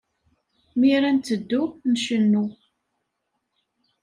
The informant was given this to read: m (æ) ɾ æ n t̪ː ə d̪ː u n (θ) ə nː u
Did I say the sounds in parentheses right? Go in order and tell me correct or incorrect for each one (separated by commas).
incorrect, incorrect